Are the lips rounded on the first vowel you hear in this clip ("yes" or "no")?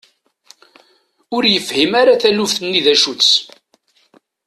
yes